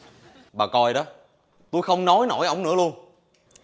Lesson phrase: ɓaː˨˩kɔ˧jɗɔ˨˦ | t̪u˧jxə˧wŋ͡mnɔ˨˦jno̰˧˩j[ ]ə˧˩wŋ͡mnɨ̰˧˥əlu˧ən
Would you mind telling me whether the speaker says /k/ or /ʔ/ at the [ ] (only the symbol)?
ʔ